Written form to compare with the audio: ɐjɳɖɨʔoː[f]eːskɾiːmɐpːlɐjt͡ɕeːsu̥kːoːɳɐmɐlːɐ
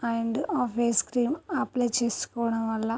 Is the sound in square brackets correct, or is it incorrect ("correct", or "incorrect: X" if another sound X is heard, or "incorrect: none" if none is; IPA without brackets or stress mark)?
correct